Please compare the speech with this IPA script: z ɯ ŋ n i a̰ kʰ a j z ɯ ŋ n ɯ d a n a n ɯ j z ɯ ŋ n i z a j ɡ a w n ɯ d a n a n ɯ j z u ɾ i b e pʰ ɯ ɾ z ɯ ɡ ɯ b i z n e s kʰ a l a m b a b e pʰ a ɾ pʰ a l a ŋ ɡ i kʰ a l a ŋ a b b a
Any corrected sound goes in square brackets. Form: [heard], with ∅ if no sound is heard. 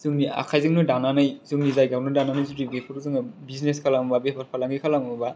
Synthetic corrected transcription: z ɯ ŋ n i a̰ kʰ a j z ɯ ŋ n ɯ d a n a n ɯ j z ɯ ŋ n i z a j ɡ a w n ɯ d a n a n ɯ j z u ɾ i b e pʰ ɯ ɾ z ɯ [ŋ] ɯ b i z n e s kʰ a l a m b a b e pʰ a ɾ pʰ a l a ŋ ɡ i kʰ a l a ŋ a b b a